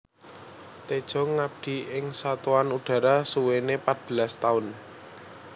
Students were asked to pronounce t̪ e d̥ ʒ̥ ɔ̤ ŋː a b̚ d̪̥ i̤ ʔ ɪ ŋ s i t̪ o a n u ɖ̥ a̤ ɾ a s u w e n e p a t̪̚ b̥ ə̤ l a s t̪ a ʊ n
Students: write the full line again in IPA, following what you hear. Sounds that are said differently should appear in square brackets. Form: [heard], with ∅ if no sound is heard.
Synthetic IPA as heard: t̪ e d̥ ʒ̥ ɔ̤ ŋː a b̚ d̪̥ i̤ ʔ ɪ ŋ s [a] t̪ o a n u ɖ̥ a̤ ɾ a s u w e n e p a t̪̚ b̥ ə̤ l a s t̪ a ʊ n